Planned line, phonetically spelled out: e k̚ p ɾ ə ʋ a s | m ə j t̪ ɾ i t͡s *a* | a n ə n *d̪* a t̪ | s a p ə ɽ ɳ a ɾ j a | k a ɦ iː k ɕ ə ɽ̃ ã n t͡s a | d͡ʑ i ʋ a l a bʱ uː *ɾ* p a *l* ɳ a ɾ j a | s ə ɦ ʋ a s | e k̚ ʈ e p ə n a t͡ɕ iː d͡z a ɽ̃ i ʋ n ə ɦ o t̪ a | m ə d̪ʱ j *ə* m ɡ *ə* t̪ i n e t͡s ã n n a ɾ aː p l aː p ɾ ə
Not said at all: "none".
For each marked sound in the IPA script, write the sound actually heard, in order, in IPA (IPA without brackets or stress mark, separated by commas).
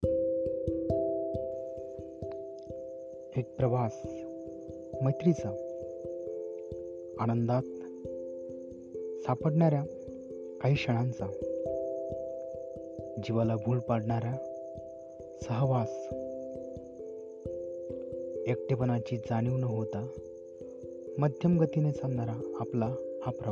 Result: a, d̪, l, ɽ, ə, ə